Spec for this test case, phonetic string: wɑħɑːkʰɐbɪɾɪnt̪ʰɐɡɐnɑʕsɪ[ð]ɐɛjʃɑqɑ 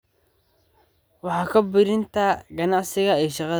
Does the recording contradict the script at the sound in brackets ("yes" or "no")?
yes